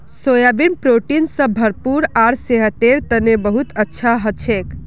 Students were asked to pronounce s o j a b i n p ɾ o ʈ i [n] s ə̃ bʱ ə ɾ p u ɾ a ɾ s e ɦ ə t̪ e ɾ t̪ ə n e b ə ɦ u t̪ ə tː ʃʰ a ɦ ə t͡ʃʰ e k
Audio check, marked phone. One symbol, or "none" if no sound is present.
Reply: n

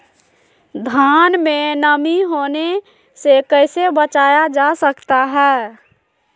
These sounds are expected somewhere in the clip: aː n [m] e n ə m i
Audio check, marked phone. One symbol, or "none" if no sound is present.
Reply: m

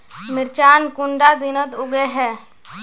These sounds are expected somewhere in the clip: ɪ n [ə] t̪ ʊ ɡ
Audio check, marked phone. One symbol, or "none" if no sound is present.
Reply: ə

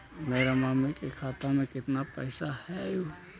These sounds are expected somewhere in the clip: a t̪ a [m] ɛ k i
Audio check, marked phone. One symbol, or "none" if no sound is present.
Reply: m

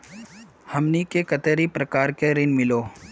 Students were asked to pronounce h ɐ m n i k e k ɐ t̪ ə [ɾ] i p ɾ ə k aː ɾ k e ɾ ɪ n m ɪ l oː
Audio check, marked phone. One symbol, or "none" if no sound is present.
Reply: ɾ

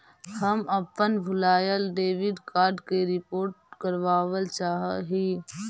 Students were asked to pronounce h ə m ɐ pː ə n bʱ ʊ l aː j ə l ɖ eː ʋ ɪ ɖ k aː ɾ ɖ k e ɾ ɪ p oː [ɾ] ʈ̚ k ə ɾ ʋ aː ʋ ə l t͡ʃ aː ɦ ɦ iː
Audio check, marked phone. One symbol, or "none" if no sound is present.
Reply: ɾ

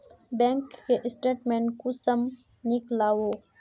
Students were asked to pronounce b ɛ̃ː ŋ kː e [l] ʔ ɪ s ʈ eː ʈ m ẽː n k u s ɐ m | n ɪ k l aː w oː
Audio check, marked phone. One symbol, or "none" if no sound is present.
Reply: none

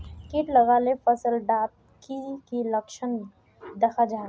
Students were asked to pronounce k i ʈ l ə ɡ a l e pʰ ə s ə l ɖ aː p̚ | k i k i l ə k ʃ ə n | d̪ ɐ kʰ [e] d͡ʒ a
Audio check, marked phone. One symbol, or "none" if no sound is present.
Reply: a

